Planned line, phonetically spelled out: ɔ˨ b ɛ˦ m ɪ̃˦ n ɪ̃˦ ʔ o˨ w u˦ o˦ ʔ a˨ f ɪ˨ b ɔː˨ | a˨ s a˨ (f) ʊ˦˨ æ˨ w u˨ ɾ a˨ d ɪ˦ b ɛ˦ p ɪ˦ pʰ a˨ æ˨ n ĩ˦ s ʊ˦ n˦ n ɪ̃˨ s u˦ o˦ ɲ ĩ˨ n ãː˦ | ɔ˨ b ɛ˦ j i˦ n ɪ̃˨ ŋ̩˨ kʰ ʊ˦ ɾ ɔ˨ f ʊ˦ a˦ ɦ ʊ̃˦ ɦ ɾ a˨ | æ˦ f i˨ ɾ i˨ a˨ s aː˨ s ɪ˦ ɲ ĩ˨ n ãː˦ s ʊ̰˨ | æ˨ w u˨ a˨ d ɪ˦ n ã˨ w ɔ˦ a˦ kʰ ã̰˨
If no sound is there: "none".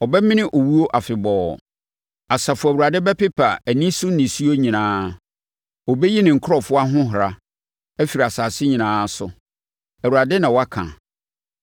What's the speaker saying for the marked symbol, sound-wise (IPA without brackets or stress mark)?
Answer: f